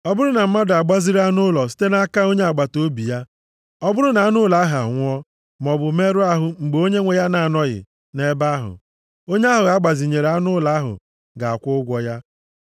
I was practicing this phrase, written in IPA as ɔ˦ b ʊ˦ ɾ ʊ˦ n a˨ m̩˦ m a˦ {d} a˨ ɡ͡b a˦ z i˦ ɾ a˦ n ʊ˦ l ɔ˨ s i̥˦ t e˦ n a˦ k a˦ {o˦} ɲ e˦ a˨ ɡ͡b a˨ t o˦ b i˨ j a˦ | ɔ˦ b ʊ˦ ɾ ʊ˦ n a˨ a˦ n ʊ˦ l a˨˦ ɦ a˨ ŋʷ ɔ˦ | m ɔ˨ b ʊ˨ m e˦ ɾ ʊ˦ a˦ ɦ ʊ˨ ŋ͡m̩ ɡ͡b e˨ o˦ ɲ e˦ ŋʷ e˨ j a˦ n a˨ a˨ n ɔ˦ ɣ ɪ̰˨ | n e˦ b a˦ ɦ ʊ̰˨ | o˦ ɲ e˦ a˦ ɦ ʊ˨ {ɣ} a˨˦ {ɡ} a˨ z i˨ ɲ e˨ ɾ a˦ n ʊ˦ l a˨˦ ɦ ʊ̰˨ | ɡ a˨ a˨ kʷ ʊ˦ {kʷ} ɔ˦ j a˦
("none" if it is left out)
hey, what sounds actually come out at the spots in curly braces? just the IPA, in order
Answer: d, o˦, ɣ, ɡ͡b, ɡʷ

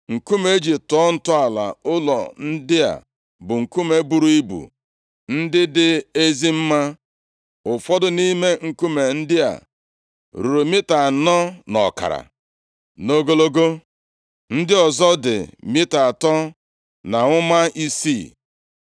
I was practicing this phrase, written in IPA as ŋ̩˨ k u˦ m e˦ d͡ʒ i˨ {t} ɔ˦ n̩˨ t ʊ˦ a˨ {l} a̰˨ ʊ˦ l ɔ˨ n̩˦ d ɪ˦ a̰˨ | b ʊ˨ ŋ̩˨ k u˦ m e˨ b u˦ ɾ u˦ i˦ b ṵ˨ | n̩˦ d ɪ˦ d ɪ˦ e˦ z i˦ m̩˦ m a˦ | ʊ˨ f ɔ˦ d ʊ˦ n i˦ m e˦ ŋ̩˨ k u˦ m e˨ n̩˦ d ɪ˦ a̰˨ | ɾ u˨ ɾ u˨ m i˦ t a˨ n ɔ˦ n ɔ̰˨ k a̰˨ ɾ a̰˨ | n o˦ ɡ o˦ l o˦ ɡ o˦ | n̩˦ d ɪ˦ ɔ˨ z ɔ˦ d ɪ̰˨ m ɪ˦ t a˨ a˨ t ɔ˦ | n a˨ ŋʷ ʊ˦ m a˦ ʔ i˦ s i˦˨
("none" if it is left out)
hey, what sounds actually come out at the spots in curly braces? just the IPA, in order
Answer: t, l

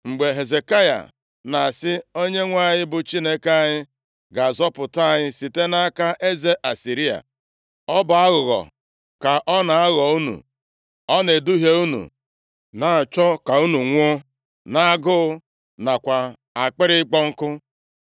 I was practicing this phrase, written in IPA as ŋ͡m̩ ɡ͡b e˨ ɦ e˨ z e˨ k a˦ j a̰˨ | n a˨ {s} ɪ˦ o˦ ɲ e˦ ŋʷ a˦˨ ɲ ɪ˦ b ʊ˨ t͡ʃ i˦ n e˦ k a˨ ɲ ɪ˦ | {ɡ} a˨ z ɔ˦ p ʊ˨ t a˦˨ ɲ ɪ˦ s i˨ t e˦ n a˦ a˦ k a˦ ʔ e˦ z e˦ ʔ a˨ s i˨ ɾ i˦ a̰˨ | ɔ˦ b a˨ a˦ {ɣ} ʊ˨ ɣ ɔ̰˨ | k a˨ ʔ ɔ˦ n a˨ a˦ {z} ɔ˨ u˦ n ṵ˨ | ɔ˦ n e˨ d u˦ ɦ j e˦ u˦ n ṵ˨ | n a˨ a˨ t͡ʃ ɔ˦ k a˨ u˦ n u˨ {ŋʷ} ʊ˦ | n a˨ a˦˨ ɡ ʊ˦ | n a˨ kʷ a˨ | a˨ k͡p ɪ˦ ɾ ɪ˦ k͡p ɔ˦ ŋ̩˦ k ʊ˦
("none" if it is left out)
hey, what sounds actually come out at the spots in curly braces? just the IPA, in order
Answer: s, ɡ, ɣ, ɣ, ŋʷ

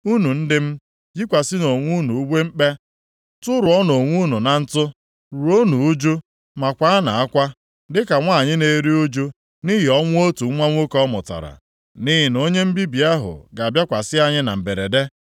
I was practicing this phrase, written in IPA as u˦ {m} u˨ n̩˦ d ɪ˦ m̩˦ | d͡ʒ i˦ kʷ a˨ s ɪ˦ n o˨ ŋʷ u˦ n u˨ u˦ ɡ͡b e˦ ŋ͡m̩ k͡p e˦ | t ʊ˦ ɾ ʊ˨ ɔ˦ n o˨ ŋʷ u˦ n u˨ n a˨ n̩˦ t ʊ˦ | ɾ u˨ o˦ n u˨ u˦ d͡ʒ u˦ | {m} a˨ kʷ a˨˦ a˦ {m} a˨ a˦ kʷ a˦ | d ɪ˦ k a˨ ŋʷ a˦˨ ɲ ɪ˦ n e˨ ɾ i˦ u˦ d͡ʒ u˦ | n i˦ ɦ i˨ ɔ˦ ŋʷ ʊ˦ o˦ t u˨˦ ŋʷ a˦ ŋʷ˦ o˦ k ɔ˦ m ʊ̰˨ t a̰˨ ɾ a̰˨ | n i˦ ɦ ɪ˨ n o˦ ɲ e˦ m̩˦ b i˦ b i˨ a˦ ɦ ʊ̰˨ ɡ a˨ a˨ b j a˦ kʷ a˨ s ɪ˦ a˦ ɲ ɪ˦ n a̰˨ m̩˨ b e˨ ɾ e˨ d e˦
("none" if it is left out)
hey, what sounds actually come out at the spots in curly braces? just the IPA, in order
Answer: n, m, n

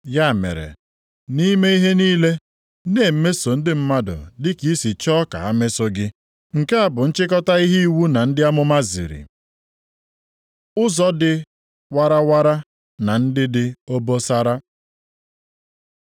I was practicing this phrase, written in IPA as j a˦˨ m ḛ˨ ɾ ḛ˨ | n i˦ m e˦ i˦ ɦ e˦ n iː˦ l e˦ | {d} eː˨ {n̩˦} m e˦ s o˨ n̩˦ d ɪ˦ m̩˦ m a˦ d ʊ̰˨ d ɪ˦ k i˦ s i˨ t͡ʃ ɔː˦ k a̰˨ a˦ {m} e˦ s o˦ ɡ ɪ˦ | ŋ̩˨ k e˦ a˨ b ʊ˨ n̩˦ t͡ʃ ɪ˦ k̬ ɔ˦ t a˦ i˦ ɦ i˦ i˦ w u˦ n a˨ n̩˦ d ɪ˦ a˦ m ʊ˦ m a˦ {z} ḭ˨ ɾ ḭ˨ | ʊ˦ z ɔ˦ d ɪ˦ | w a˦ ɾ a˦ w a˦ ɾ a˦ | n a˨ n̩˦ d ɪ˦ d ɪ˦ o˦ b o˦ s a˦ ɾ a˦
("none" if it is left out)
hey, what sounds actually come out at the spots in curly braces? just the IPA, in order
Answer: n, m̩˦, m, z

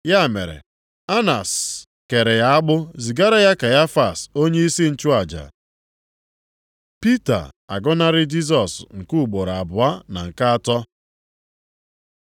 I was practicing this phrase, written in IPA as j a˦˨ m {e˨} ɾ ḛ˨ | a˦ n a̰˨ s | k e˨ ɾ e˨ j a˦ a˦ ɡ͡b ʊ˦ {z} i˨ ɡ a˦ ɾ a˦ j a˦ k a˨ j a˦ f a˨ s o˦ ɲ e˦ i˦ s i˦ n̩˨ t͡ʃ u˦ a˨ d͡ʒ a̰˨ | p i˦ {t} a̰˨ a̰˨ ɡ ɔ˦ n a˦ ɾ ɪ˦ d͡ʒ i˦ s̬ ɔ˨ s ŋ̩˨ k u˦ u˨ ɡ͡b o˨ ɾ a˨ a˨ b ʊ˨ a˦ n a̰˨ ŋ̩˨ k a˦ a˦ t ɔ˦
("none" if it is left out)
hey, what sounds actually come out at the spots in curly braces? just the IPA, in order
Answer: e˨, z, t

